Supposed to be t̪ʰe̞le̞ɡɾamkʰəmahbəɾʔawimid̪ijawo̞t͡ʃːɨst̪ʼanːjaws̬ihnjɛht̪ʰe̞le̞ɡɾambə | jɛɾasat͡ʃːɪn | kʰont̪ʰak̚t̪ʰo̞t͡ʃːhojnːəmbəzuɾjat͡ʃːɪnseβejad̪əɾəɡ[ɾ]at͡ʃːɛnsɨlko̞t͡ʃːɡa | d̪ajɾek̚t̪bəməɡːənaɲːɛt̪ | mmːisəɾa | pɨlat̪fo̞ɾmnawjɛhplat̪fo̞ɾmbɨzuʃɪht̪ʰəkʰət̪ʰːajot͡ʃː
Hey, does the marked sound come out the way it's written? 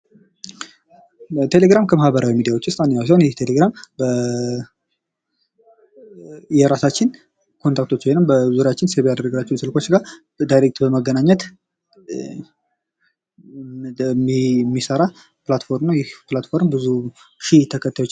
no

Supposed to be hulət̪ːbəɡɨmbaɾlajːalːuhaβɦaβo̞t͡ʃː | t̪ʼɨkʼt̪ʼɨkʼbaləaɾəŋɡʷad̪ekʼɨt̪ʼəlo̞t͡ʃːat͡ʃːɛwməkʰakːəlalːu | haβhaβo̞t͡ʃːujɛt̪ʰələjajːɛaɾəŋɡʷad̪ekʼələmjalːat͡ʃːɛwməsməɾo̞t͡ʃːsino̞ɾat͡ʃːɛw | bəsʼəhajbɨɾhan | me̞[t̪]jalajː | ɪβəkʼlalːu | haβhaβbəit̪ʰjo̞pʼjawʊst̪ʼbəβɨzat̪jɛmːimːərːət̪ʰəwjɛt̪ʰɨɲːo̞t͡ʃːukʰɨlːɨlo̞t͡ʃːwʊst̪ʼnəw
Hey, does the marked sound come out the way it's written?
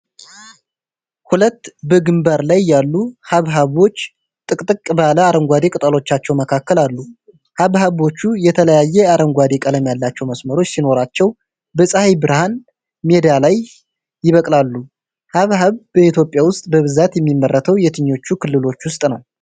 no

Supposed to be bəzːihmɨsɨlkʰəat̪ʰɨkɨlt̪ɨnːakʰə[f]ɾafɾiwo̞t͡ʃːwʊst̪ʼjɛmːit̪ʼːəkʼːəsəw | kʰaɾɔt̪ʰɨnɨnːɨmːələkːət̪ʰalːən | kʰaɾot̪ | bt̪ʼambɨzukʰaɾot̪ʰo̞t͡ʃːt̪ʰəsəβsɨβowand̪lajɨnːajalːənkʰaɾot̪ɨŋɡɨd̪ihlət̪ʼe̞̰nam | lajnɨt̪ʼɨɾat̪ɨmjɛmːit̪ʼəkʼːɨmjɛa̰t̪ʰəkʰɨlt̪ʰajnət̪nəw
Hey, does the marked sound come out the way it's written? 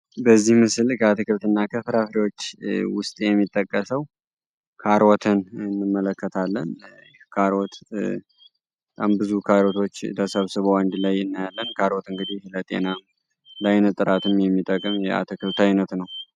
yes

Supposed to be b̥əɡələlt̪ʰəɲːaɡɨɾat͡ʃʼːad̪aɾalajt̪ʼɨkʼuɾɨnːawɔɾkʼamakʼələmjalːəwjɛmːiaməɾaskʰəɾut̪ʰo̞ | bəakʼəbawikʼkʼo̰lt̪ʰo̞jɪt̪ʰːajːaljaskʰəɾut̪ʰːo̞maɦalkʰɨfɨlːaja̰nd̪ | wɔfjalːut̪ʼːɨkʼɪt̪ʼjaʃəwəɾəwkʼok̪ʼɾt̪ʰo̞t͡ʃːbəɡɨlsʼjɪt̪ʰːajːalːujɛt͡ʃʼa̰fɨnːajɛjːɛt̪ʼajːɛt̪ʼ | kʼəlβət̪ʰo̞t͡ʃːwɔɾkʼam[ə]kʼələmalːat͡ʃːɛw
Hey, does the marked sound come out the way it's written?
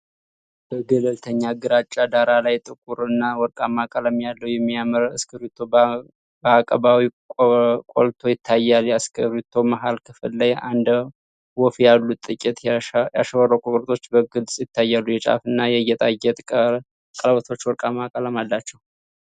no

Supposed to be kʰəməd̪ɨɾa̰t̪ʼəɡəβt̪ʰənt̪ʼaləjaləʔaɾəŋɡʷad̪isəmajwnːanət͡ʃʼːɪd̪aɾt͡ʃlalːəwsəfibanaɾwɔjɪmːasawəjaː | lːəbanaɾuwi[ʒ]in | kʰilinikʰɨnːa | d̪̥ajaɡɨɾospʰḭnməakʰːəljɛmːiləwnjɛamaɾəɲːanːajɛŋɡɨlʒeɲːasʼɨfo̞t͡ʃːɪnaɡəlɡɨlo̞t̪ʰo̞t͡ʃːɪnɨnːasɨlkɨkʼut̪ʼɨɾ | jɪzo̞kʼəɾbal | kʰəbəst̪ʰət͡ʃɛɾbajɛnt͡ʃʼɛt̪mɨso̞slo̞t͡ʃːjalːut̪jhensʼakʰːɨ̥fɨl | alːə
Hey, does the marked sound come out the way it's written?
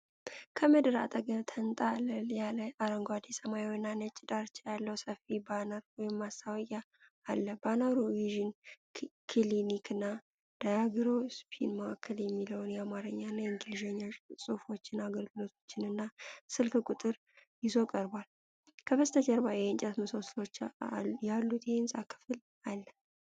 yes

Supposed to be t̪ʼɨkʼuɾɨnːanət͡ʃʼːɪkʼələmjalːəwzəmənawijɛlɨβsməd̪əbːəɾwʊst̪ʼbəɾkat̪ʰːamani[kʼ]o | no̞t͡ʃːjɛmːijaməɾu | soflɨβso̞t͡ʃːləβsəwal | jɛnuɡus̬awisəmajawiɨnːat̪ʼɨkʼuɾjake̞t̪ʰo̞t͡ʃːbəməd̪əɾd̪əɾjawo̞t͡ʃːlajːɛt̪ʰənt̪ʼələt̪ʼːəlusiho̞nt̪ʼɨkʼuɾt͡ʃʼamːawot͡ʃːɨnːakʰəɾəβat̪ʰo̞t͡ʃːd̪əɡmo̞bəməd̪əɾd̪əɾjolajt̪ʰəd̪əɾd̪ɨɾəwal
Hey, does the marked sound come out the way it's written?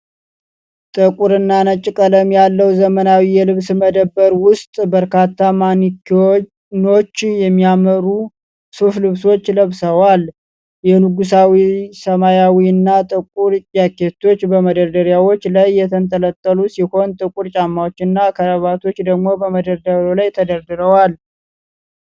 no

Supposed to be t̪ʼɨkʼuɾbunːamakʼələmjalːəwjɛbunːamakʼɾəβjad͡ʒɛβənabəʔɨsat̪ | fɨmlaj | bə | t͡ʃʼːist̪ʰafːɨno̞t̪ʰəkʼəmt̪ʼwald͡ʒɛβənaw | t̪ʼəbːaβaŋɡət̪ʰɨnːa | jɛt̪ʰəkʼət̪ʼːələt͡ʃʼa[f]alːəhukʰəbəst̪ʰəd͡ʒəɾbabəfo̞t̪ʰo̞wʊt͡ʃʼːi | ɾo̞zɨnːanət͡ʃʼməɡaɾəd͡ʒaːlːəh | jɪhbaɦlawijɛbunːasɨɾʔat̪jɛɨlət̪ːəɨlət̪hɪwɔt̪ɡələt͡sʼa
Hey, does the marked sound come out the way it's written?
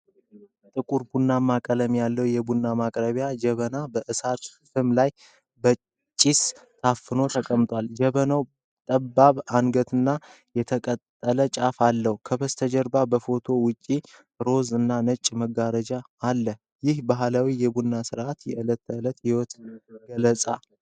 yes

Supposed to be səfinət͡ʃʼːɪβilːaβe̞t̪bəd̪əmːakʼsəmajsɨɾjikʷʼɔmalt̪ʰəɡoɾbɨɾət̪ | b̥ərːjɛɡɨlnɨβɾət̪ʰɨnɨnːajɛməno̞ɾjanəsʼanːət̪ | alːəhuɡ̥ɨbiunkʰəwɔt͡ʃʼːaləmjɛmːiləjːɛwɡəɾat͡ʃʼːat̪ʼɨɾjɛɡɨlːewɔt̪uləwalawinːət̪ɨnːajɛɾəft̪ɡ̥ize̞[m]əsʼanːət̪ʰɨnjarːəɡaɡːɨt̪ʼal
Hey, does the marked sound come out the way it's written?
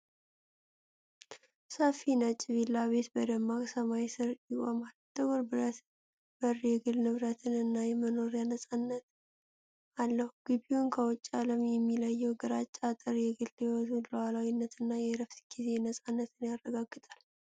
no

